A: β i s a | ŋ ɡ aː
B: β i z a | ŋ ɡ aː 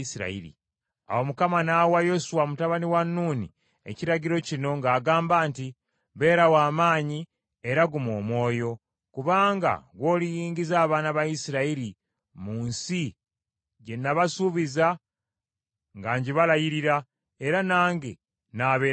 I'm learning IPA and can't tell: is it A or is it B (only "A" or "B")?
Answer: B